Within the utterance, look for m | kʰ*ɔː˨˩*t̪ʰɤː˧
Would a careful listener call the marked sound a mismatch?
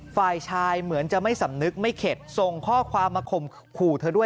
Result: yes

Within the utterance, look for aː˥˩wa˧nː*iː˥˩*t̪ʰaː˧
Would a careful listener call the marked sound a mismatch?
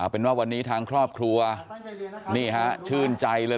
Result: yes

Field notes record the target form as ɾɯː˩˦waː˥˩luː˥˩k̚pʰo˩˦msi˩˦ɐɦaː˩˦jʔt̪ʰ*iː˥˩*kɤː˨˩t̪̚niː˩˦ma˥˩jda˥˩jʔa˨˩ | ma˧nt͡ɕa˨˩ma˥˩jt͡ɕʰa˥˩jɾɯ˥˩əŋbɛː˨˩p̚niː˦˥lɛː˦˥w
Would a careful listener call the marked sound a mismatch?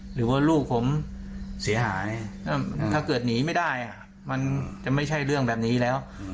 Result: yes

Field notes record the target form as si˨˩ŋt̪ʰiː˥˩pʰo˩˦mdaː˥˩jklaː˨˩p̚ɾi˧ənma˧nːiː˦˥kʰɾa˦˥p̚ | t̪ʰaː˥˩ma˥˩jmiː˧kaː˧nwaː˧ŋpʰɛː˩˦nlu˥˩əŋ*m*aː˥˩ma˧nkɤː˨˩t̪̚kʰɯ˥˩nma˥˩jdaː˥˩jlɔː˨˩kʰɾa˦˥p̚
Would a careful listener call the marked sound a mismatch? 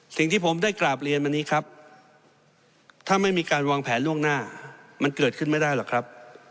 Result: yes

